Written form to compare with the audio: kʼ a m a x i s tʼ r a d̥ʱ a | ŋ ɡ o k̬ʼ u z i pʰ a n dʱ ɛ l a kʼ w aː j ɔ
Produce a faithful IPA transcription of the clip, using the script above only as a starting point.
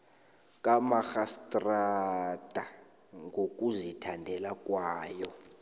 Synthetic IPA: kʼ a m a x a s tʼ r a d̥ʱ a | ŋ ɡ o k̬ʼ u z i tʰ a n dʱ ɛ l a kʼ w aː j ɔ